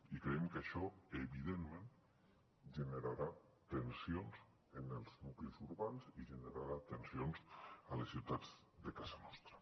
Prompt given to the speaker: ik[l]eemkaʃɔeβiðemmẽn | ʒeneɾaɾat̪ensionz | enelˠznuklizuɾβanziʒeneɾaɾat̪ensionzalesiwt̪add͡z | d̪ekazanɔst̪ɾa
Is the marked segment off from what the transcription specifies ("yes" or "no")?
yes